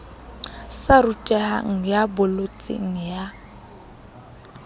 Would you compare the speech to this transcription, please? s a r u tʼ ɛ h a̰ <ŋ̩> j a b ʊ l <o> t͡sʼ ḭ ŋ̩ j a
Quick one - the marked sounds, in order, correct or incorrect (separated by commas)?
correct, correct